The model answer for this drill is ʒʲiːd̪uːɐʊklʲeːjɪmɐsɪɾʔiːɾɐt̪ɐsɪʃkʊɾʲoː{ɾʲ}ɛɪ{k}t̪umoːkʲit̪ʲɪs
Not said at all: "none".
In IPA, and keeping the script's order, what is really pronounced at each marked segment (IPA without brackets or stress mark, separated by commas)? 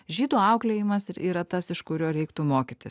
ɾʲ, k